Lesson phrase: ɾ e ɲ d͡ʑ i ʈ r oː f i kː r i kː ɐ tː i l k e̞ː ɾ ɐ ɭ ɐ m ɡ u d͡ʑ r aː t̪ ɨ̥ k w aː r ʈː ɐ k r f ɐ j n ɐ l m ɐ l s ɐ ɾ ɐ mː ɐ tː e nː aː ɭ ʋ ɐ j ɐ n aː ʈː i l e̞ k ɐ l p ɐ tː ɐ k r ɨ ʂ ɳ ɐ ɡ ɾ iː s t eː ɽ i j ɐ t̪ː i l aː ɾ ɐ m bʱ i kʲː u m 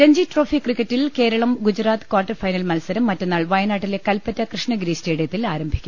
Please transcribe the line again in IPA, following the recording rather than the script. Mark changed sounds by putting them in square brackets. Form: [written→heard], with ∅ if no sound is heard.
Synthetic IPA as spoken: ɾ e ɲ d͡ʑ i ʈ r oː f i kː r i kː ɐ tː i l k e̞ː ɾ ɐ ɭ ɐ m ɡ u d͡ʑ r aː t̪ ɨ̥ k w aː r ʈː ɐ [k→∅] r f ɐ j n ɐ l m ɐ l s ɐ ɾ ɐ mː ɐ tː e nː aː ɭ ʋ ɐ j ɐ n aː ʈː i l e̞ k ɐ l p ɐ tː ɐ k r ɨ ʂ ɳ ɐ ɡ ɾ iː s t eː ɽ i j ɐ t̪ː i l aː ɾ ɐ m bʱ i kʲː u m